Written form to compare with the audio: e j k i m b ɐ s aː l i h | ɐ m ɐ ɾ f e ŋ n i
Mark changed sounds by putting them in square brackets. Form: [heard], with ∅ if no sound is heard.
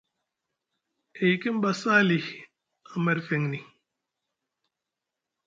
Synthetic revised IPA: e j k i m b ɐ s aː l i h | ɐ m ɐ ɾ f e ŋ n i